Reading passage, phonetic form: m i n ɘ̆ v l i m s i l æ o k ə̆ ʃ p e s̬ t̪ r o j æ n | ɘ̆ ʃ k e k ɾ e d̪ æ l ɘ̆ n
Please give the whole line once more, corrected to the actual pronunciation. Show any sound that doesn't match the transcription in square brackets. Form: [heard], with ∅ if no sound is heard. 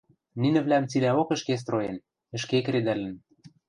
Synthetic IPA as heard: [n] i n ɘ̆ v l [æ] m [t͡s] i l æ o k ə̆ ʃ [k] e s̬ t̪ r o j [e] n | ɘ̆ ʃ k e k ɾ e d̪ æ l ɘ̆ n